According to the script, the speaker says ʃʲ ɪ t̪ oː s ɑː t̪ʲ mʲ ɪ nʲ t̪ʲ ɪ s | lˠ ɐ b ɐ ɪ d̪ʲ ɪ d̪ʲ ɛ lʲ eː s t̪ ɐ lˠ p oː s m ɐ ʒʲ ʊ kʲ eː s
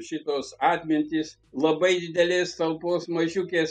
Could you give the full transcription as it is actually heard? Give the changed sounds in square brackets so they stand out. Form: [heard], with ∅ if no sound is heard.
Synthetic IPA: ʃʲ ɪ t̪ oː s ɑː t̪ʲ mʲ ɪ nʲ t̪ʲ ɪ s | lˠ ɐ b ɐ ɪ d̪ʲ ɪ d̪ʲ ɛ lʲ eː s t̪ ɐ lˠ p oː s m ɐ ʒʲ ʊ kʲ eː s